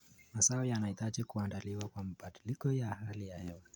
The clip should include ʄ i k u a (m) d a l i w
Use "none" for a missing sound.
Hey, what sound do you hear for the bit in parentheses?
n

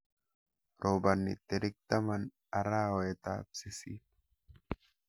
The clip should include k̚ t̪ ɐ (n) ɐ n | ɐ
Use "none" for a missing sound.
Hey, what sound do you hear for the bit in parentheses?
m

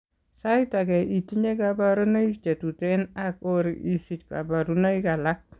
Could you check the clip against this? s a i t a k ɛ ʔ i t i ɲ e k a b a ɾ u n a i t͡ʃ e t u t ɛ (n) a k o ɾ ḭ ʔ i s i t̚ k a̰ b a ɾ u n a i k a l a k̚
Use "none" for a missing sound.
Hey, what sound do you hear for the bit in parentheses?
n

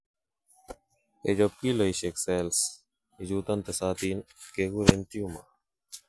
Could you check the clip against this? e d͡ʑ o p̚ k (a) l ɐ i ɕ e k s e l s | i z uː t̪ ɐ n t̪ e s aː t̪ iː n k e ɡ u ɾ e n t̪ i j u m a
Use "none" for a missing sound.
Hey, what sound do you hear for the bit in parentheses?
i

